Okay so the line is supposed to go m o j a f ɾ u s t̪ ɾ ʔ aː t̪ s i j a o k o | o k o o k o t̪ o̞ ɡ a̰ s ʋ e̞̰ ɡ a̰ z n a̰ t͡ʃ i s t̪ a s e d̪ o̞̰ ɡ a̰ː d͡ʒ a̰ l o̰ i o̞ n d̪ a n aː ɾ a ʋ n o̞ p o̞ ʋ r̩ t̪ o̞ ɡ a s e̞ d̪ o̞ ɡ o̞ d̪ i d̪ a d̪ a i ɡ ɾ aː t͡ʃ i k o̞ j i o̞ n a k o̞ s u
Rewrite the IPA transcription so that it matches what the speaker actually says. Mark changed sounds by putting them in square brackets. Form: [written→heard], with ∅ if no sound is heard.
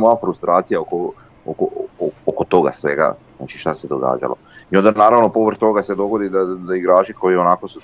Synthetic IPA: m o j a f ɾ u s t̪ ɾ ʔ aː t̪ s i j a o k o | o k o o k o t̪ o̞ ɡ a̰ s ʋ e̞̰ ɡ a̰ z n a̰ t͡ʃ i [s→ʃ] t̪ a s e d̪ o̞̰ ɡ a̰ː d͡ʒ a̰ l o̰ i o̞ n d̪ a n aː ɾ a ʋ n o̞ p o̞ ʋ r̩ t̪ o̞ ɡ a s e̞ d̪ o̞ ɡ o̞ d̪ i d̪ a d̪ a i ɡ ɾ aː t͡ʃ i k o̞ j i o̞ n a k o̞ s u